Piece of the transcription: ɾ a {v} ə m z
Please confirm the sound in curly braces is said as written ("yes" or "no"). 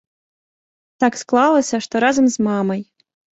no